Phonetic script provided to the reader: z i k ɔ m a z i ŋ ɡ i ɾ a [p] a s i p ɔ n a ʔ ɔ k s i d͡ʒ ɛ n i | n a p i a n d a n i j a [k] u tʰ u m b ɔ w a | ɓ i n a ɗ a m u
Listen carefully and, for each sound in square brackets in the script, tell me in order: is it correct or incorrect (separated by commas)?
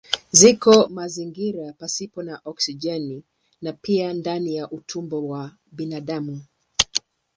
correct, incorrect